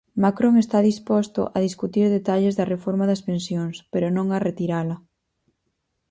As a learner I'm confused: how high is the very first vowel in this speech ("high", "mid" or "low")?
low